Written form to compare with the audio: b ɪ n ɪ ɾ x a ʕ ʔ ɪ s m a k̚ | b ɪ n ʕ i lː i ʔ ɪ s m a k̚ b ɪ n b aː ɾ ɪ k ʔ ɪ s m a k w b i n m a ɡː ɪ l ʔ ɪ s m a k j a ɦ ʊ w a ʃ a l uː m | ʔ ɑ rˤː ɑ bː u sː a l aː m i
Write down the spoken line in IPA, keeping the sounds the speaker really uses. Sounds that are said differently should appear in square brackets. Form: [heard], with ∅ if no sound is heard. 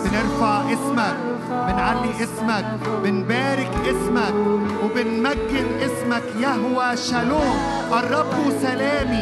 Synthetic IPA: b ɪ n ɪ ɾ [f] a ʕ ʔ ɪ s m a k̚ | b ɪ n ʕ [a] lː i ʔ ɪ s m a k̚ b ɪ n b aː ɾ ɪ k ʔ ɪ s m a k w b [ɪ] n m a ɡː ɪ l ʔ ɪ s m a k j a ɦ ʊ w a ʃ a l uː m | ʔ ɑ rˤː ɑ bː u [s] a l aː m i